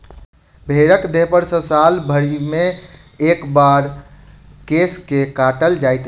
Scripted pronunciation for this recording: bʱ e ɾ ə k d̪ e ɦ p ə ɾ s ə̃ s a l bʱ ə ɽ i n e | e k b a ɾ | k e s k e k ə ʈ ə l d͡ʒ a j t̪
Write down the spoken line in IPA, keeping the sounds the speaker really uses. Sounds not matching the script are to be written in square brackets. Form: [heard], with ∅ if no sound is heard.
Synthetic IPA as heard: bʱ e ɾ ə k d̪ e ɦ p ə ɾ s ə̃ s a l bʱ ə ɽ i [m] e | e k b a ɾ | k e s k e k [a] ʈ ə l d͡ʒ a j t̪